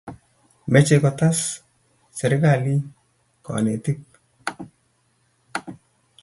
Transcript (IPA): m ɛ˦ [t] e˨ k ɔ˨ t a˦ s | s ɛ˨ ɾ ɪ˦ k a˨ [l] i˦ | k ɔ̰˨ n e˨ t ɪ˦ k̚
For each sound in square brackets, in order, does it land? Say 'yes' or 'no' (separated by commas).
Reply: no, yes